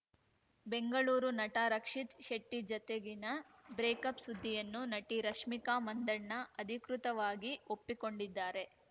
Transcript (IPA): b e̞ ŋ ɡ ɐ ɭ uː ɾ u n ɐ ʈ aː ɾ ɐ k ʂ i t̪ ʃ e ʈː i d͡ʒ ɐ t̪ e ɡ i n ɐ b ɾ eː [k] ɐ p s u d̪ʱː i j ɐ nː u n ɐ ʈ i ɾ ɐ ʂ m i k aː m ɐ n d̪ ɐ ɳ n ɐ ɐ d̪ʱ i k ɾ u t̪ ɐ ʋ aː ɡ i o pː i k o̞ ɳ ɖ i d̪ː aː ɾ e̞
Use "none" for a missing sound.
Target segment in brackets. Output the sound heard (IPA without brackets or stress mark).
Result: k